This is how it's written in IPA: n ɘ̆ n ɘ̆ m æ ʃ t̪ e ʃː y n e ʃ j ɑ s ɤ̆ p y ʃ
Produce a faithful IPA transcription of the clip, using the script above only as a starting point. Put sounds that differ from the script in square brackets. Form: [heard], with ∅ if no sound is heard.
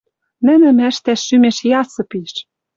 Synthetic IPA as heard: n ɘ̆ n ɘ̆ m æ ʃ t̪ [æ] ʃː y [m] e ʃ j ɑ s ɤ̆ p [i] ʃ